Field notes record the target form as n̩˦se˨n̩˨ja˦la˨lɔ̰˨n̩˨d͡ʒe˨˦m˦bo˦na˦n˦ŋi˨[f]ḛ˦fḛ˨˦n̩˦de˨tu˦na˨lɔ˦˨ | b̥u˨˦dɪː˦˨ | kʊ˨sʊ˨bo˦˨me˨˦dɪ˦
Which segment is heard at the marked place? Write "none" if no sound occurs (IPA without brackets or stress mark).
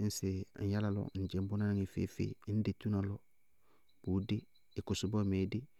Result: f